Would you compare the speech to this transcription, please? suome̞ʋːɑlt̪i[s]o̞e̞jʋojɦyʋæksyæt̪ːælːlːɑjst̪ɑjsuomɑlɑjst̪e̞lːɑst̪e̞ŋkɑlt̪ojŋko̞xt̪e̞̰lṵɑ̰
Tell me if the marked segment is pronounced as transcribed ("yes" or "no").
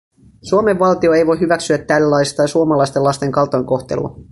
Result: no